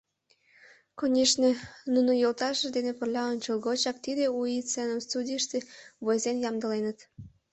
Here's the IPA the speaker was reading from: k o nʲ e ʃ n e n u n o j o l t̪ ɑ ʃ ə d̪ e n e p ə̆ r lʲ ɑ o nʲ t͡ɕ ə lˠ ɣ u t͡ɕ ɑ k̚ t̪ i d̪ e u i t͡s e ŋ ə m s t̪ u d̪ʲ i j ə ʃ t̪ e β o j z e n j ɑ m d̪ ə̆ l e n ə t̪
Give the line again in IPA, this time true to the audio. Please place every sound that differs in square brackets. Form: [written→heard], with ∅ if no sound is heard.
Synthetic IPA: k o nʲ e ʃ n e n u n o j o l t̪ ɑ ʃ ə d̪ e n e p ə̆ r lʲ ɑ o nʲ t͡ɕ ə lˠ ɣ [u→o] t͡ɕ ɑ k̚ t̪ i d̪ e u i t͡s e [ŋ→n] ə m s t̪ u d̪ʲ i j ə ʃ t̪ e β o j z e n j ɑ m d̪ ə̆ l e n ə t̪